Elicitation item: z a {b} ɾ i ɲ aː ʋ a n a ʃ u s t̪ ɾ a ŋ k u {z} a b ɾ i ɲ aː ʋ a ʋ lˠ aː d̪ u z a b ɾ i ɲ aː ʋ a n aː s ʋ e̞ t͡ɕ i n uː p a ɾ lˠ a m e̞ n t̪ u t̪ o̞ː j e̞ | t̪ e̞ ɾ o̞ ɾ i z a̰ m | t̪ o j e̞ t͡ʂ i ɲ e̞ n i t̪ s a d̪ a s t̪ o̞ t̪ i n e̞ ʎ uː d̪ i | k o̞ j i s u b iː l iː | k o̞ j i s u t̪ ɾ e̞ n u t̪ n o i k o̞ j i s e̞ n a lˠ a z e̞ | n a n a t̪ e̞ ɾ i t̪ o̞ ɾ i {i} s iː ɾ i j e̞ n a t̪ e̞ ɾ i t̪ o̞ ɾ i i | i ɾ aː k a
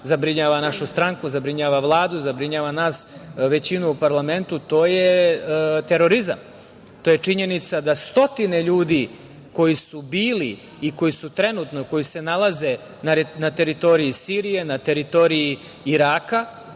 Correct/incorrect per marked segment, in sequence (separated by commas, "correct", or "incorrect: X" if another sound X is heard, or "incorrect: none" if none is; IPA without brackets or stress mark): correct, correct, correct